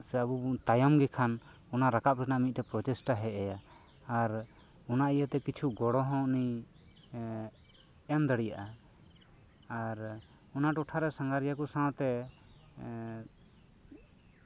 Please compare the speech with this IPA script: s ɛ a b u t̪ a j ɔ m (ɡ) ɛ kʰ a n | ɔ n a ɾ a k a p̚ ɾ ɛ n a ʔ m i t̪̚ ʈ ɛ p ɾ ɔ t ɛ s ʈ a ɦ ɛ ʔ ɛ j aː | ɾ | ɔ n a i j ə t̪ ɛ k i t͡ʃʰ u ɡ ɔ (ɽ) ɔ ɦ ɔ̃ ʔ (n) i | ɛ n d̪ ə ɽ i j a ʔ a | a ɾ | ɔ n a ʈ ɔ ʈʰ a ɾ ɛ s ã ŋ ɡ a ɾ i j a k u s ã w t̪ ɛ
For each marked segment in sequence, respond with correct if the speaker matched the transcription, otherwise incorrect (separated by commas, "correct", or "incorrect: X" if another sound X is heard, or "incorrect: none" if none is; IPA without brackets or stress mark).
correct, correct, correct